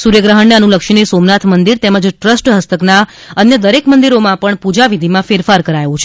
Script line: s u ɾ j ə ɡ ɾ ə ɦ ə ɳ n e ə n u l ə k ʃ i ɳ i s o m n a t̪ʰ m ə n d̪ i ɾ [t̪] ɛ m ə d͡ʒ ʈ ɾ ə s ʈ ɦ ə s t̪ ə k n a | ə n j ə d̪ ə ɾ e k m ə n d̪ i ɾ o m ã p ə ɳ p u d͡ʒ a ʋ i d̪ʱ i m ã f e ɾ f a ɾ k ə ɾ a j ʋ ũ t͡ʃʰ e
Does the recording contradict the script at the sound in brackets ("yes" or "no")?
no